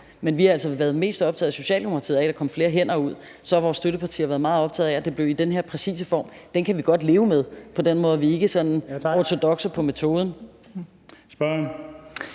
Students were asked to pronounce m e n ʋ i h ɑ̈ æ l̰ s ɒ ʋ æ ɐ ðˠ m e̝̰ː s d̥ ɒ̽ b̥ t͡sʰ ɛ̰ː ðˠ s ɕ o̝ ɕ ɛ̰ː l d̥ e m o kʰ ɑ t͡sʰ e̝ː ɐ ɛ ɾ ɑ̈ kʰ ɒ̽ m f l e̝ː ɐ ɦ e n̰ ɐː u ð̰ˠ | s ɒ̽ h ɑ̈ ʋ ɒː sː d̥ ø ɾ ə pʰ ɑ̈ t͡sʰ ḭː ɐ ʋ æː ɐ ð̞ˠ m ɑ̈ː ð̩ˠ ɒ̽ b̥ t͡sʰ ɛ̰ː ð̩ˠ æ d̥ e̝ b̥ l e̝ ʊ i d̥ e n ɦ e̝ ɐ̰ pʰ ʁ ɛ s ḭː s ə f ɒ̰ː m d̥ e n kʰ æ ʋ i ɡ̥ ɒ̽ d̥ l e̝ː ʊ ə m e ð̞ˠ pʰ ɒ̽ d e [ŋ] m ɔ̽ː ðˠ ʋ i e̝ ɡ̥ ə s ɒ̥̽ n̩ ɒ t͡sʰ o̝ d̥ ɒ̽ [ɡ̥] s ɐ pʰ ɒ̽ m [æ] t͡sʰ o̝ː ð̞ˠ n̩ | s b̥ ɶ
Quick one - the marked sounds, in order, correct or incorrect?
incorrect, correct, incorrect

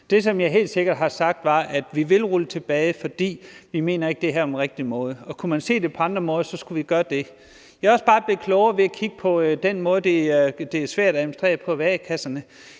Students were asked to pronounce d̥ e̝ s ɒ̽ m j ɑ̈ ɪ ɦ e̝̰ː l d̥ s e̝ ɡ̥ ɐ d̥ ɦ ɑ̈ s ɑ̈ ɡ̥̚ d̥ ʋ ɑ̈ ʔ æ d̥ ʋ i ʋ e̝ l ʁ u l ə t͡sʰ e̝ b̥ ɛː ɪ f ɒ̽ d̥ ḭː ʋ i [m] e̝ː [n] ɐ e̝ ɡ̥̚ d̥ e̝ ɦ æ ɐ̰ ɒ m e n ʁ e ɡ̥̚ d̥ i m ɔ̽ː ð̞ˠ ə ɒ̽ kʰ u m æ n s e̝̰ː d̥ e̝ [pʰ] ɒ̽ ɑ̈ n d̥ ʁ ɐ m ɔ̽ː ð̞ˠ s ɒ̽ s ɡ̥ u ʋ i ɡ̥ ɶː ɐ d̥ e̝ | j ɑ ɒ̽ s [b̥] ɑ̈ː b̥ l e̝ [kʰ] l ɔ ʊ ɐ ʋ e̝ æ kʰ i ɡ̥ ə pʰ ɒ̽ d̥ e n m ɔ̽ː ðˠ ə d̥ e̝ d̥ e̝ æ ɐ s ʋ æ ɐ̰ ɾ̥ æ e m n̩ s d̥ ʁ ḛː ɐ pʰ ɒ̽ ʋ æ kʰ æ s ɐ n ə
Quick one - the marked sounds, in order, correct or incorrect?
correct, correct, correct, correct, correct

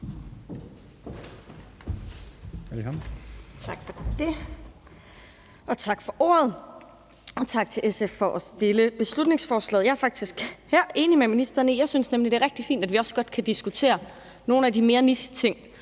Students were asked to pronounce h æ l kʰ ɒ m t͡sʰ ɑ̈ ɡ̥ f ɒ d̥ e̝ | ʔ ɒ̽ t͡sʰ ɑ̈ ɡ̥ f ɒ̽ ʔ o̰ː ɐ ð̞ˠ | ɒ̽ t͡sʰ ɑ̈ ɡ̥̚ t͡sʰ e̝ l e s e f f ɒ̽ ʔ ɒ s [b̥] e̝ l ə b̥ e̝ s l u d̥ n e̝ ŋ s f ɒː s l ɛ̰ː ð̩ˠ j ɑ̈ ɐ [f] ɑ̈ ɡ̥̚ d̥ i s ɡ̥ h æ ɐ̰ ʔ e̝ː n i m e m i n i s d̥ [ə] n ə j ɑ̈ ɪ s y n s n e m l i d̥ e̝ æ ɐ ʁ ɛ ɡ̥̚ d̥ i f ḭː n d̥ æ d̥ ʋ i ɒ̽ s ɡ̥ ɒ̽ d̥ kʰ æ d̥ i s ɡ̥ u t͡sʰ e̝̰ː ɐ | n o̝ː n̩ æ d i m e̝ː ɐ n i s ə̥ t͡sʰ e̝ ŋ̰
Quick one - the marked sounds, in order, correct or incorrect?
incorrect, correct, incorrect

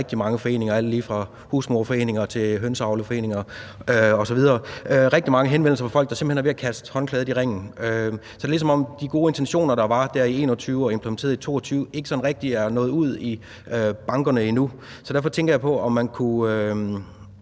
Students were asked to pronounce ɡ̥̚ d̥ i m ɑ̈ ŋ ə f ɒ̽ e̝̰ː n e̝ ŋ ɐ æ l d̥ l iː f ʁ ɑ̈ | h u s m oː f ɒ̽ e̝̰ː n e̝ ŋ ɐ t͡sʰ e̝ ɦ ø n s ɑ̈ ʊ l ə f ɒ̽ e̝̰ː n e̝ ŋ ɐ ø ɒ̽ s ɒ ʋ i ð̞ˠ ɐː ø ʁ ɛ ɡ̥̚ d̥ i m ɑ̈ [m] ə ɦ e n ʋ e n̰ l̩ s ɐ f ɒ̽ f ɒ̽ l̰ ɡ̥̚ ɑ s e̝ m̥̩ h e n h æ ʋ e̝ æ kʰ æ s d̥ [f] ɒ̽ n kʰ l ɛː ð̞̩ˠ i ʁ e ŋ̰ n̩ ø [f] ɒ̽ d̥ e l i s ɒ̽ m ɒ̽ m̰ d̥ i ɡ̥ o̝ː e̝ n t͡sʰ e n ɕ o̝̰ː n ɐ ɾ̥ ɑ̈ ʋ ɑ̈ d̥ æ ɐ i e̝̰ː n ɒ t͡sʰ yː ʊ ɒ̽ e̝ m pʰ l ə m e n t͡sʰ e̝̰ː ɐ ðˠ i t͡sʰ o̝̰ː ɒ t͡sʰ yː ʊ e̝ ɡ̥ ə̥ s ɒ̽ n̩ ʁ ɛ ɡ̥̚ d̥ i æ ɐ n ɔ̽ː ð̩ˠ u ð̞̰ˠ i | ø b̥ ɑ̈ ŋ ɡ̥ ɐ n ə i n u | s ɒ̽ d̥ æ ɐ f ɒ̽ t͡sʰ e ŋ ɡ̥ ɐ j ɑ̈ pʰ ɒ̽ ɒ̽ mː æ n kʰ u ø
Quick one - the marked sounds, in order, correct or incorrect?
incorrect, incorrect, incorrect

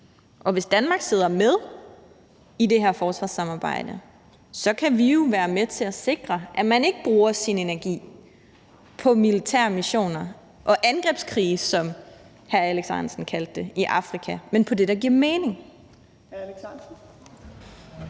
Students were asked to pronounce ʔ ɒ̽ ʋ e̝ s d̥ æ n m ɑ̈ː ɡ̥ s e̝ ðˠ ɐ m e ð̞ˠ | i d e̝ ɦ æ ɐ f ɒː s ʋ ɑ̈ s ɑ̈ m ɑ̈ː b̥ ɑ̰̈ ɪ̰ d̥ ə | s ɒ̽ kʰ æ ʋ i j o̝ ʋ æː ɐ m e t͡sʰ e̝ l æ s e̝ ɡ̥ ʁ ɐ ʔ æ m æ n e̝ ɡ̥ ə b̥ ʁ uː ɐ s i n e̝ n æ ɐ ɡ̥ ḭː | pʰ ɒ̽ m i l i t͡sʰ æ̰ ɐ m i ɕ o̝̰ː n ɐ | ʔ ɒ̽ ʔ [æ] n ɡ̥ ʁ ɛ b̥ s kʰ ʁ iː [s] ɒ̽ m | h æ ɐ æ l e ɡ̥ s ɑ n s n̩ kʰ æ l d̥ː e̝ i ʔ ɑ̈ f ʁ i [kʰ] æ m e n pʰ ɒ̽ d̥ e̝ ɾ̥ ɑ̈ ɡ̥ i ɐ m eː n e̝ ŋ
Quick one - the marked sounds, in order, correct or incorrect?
correct, correct, correct

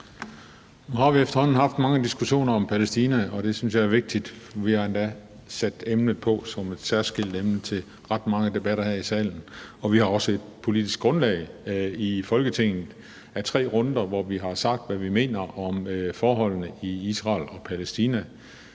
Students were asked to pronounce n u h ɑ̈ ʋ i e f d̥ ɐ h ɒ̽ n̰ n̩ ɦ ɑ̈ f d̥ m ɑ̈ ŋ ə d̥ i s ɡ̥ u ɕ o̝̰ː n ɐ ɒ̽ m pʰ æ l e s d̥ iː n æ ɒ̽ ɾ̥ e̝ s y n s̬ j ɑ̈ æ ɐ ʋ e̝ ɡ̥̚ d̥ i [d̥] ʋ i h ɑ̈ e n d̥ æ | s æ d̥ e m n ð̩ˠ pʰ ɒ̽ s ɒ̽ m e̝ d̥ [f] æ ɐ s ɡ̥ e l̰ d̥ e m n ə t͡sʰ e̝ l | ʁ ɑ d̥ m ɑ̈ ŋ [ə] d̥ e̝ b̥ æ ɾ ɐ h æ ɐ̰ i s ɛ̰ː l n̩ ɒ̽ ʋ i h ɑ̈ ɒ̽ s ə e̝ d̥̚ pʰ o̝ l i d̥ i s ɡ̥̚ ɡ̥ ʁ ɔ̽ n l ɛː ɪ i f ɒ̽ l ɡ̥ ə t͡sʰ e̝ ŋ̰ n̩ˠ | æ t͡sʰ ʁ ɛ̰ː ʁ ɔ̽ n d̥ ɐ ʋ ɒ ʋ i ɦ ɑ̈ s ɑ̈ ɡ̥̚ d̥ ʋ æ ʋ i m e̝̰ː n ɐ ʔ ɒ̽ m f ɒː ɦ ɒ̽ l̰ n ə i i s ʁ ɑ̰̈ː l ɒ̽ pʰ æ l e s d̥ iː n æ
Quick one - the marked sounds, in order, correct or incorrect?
correct, incorrect, correct

